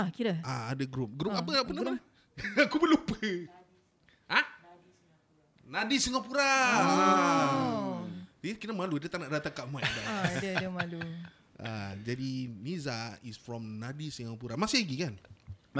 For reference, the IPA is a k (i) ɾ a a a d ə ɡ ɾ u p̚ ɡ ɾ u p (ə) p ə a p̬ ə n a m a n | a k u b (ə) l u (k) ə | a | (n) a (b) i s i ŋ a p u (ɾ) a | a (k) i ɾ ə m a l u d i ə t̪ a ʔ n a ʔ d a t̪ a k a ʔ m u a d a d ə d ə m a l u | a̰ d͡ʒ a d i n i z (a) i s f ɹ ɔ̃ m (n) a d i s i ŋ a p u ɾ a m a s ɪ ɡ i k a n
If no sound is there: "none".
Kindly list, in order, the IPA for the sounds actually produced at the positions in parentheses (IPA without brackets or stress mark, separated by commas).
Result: i, a, ə, p, n, d, ɾ, k, a, n